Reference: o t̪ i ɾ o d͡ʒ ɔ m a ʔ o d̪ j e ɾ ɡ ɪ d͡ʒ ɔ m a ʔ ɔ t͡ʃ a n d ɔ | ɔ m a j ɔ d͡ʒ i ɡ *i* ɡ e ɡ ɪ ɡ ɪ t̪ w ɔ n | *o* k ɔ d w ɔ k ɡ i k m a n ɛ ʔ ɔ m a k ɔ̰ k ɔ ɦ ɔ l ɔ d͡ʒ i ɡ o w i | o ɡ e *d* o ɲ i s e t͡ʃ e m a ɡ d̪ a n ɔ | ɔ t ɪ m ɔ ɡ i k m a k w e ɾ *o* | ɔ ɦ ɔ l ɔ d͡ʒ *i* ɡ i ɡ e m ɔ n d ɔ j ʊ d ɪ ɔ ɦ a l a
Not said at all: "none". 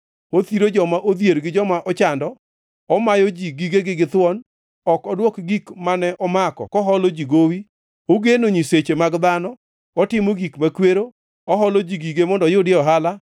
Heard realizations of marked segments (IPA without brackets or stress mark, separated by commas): i, ɔ, n, o, i